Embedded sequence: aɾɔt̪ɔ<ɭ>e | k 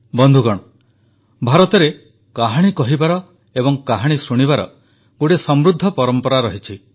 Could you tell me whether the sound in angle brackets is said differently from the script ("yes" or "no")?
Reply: yes